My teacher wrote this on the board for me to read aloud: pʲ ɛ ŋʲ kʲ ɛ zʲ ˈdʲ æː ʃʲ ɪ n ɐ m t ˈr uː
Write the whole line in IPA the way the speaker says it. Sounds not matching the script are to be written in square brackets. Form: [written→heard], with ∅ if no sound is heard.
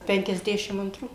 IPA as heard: pʲ ɛ ŋʲ kʲ ɛ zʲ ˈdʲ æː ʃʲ ɪ [n→m] ɐ [m→n] t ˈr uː